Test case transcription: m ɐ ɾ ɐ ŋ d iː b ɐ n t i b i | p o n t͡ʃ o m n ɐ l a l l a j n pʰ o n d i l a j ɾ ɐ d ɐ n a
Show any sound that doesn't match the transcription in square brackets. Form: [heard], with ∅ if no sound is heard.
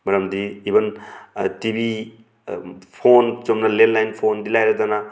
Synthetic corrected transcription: m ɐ ɾ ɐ [m] d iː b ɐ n t i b i | [pʰ] o n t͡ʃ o m n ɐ l [e] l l a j n pʰ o n d i l a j ɾ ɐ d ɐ n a